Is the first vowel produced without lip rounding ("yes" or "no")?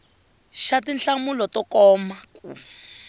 yes